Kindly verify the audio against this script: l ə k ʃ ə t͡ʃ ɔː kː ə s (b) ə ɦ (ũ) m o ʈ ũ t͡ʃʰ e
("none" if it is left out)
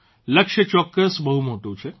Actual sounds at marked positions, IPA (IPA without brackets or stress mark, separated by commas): b, u